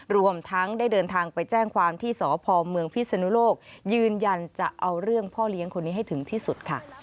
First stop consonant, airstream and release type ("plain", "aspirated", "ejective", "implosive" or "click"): aspirated